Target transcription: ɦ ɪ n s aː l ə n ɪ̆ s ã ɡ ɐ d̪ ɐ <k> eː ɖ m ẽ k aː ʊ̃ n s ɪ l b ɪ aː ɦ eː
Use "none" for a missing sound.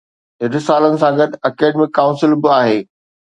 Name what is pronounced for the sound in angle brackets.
k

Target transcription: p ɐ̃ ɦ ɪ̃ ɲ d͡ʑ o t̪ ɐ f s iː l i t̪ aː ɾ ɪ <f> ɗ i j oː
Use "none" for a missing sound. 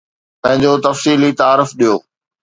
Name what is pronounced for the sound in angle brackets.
f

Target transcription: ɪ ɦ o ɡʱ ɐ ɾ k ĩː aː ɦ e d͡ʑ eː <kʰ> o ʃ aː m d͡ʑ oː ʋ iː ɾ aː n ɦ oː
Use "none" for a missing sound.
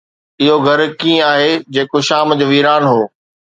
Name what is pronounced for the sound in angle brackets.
k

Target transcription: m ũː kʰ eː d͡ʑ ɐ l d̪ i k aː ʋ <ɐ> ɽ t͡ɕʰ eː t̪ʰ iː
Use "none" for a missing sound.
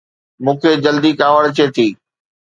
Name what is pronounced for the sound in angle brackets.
ə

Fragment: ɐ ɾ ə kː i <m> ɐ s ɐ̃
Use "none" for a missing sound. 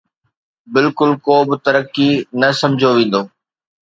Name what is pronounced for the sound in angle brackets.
n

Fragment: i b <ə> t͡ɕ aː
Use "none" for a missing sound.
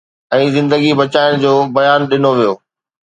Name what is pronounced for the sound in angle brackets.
ɐ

